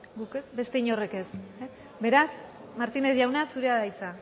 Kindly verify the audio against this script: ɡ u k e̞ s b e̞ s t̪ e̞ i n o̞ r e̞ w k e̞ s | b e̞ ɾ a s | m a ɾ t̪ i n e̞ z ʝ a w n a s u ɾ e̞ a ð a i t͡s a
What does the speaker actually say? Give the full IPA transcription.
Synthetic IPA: ɡ u k e̞ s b e̞ s t̪ e̞ i ɲ o̞ r e̞ k e̞ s | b e̞ ɾ a s | m a ɾ t̪ i n e̞ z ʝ a w n a s u ɾ e̞ a ð a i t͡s a